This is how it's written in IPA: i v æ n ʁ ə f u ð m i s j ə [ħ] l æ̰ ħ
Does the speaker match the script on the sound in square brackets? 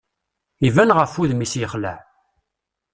no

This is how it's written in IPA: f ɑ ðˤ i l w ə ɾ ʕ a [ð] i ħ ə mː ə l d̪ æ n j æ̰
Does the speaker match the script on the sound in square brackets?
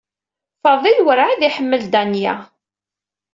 yes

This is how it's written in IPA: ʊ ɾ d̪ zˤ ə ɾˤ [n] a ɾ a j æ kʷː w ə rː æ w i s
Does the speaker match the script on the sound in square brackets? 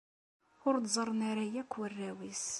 yes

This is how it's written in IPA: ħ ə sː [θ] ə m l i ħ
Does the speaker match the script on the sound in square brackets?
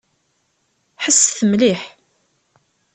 yes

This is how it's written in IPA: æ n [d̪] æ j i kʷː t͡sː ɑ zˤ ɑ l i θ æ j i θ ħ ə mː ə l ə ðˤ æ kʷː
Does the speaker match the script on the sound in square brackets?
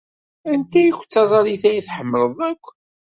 no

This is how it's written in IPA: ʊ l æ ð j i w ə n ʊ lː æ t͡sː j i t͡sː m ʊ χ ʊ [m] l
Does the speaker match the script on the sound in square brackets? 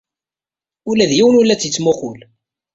no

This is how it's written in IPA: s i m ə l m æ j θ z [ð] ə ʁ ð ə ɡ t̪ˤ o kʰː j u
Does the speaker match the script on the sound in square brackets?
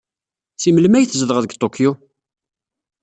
yes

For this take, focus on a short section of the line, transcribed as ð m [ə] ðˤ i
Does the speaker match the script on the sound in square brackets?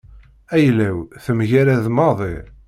no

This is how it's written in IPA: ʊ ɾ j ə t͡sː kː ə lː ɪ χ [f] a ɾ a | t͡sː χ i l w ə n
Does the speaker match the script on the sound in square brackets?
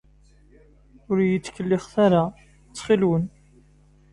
no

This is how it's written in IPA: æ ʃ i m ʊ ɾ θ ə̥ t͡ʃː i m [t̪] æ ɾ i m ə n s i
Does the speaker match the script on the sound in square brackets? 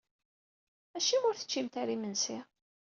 yes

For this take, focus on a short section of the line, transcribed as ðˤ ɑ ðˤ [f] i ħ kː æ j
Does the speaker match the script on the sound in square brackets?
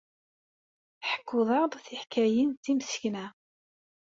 no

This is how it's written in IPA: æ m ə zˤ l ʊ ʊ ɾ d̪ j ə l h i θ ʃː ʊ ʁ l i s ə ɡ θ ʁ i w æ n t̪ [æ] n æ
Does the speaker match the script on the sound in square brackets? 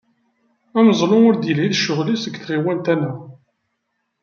yes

